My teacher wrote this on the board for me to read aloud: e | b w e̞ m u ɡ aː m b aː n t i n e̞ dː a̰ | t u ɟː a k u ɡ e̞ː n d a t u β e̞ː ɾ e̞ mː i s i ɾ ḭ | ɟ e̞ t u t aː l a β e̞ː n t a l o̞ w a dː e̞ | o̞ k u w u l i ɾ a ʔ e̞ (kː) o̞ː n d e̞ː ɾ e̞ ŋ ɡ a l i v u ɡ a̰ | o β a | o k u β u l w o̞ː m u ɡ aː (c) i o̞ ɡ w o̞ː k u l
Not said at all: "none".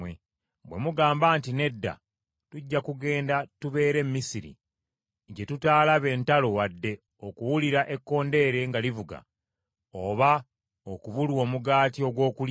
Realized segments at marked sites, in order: kː, t

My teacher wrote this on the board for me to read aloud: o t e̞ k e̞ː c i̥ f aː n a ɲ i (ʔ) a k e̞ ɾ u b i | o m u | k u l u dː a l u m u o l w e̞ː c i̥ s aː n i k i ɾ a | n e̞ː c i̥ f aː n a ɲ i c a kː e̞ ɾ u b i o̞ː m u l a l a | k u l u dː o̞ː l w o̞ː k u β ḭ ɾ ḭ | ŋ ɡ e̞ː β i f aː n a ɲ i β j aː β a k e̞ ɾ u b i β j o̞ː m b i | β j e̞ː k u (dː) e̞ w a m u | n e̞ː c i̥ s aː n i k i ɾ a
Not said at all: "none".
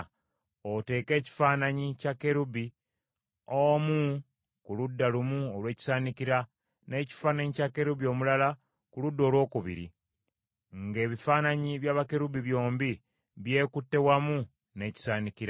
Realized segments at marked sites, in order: c, tː

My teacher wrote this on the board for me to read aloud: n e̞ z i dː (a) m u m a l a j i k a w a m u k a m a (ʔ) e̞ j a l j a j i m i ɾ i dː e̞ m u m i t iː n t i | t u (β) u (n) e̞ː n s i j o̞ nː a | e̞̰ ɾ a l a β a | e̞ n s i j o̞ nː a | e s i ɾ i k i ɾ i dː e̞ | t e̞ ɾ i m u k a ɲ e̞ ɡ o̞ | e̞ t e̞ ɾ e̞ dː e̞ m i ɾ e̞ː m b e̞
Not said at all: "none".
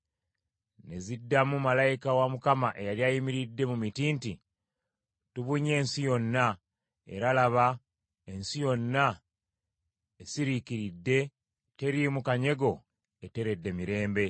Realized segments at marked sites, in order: a, ʔ, β, ɲ

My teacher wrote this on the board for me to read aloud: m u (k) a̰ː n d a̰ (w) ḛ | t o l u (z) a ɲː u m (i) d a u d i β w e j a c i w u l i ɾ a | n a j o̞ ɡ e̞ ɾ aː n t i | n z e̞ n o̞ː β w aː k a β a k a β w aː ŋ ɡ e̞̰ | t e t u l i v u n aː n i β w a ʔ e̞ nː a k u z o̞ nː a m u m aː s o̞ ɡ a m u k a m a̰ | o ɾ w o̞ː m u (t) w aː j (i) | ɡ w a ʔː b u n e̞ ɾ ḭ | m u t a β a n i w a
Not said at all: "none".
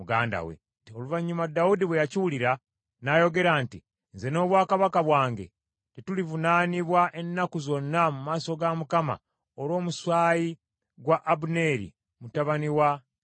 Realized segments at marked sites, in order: ɡ, w, v, a, s, i

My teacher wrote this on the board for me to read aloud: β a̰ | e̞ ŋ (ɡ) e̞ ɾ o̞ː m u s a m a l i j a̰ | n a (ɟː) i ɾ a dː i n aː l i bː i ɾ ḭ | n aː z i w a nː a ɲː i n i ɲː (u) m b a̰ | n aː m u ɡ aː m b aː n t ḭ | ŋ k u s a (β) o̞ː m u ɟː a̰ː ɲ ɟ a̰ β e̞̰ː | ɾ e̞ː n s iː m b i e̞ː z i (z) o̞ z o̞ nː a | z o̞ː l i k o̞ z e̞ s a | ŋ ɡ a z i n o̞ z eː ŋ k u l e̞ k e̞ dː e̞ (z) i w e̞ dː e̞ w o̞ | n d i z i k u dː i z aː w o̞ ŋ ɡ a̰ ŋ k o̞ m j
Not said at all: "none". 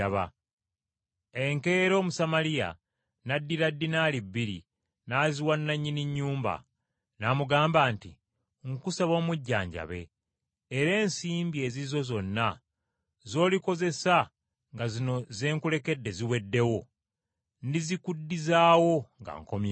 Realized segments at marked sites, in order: k, dː, uː, β, z, z

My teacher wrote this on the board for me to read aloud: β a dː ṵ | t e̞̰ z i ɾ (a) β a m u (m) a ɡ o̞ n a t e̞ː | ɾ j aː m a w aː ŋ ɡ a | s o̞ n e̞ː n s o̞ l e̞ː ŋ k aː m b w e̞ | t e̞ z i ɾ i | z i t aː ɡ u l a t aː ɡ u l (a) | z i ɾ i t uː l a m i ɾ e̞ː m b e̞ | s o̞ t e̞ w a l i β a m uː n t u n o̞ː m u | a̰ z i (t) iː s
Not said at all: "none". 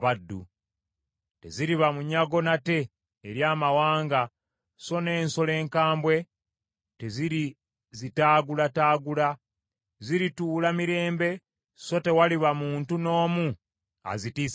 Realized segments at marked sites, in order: i, ɲ, a, t

